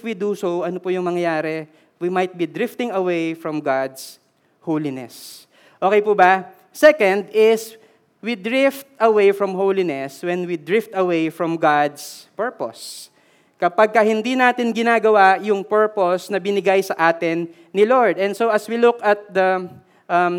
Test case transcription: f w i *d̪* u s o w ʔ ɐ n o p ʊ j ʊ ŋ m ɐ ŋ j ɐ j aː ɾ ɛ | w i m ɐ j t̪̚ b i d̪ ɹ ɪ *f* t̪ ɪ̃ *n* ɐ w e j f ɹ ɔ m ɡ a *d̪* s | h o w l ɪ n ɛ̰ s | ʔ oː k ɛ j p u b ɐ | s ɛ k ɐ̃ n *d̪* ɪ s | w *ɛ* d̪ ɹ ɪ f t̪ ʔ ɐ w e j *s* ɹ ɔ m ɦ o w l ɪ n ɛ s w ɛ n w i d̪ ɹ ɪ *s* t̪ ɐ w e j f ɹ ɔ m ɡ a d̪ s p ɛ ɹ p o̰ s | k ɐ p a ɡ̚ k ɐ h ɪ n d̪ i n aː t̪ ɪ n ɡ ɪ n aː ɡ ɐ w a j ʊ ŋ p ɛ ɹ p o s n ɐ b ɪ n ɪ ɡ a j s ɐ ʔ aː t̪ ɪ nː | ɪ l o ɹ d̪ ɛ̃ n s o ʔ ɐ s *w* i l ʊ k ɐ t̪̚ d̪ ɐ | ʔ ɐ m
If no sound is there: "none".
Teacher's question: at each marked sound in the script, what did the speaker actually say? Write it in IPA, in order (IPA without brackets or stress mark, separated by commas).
d̪, f, ŋ, d̪, d̪, i, f, f, w